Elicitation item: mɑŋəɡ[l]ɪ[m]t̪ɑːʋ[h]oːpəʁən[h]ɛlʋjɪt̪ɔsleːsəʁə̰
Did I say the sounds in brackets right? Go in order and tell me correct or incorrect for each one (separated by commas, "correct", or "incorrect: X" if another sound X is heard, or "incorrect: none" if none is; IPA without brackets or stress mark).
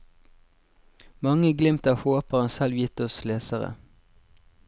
correct, correct, correct, incorrect: s